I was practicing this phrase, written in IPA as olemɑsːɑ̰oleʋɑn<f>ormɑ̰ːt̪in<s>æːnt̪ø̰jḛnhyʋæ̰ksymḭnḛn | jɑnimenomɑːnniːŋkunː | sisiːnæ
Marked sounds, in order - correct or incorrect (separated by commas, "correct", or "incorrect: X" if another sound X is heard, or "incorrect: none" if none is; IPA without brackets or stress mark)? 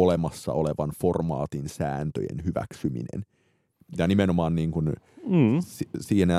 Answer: correct, correct